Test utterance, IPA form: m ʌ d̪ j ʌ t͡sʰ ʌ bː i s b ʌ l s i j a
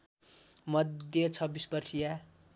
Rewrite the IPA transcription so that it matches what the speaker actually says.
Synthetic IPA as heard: m ʌ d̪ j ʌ t͡sʰ ʌ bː i s b ʌ r s i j a